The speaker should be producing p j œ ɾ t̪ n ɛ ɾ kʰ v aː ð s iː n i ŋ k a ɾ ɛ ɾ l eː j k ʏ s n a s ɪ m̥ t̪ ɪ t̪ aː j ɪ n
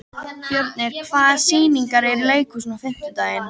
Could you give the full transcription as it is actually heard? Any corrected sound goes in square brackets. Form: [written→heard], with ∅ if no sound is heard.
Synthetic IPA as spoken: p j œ ɾ t̪ n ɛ ɾ kʰ v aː ð s iː n i ŋ k a ɾ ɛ ɾ l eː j k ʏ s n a [s→f] ɪ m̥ t̪ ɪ t̪ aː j ɪ n